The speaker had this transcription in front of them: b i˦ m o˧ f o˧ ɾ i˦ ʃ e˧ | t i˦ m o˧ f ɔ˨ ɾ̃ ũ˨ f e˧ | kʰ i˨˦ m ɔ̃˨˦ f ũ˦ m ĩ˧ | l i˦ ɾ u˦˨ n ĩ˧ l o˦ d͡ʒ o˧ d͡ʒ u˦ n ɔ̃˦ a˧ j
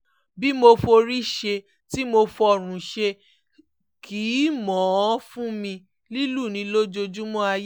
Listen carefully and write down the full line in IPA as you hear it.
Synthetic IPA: b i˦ m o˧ f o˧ ɾ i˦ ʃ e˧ | t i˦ m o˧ f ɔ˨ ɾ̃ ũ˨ ʃ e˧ | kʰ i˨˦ m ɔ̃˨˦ f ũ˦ m ĩ˧ | l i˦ l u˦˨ n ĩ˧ l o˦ d͡ʒ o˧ d͡ʒ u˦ m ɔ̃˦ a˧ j